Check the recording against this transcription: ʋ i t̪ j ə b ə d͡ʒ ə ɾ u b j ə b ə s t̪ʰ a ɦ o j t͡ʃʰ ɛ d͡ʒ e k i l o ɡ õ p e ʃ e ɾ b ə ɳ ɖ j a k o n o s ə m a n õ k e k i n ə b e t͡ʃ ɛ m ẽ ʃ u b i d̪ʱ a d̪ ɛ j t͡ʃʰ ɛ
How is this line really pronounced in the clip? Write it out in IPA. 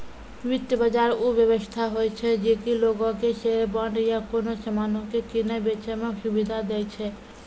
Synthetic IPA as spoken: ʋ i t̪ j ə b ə d͡ʒ a ɾ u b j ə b ə s t̪ʰ a ɦ o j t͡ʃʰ ɛ d͡ʒ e k i l o ɡ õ k e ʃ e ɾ b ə ɳ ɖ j a k o n o s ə m a n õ k e k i n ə b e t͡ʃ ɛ m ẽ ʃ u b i d̪ʱ a d̪ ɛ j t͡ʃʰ ɛ